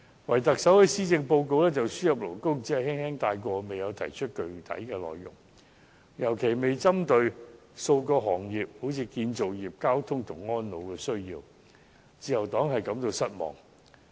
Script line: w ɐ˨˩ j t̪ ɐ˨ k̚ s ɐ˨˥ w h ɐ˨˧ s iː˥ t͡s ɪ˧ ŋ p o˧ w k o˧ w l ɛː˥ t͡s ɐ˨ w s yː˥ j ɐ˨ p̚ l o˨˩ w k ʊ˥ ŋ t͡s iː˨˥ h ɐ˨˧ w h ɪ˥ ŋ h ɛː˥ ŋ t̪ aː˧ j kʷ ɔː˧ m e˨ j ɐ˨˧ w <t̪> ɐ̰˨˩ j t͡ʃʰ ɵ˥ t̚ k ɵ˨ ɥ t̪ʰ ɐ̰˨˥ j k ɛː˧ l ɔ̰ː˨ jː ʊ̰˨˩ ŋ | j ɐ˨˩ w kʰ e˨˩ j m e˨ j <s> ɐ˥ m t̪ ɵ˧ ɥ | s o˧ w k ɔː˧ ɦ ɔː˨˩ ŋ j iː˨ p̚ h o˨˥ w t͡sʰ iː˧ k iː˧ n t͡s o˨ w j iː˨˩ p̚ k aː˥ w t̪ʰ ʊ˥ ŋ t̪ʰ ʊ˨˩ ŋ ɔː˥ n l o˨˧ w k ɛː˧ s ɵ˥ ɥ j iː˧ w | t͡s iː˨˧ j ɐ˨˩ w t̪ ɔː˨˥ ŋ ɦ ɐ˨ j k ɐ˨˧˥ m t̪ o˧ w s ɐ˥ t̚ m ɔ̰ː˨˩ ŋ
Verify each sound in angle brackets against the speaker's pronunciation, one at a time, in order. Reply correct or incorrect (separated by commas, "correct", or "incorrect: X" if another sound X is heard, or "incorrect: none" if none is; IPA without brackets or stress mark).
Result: incorrect: t̪ʰ, incorrect: t͡s